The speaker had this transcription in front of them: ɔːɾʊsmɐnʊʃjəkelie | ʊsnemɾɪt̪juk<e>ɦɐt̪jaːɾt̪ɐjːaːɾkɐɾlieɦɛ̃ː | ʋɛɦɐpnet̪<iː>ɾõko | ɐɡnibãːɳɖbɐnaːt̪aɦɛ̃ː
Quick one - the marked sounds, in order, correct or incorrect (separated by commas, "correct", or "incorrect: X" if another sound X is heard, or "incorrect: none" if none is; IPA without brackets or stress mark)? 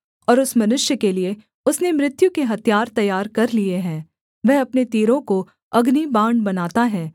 correct, correct